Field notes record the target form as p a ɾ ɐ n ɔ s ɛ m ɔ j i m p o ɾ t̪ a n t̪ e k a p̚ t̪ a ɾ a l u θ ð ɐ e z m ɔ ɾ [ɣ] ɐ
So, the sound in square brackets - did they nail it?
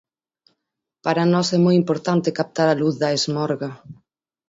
yes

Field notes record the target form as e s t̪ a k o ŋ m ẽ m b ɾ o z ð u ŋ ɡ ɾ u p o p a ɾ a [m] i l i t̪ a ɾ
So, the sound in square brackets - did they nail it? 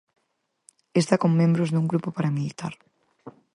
yes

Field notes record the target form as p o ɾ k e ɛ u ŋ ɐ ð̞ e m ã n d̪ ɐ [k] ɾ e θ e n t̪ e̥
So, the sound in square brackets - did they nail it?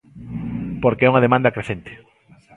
yes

